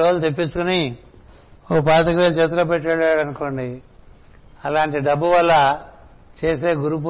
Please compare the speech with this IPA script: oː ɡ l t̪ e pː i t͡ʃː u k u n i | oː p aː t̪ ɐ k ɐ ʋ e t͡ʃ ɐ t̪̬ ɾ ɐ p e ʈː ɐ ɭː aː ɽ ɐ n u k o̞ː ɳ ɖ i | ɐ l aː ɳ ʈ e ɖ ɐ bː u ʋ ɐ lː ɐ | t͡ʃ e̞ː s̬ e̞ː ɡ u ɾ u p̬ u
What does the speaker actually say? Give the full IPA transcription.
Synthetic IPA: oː l t̪ e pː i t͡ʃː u k u n i | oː p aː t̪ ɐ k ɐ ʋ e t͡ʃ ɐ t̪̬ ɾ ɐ p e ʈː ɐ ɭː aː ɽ ɐ n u k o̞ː ɳ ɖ i | ɐ l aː ɳ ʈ i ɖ ɐ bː u ʋ ɐ lː ɐ | t͡ʃ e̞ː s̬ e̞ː ɡ u ɾ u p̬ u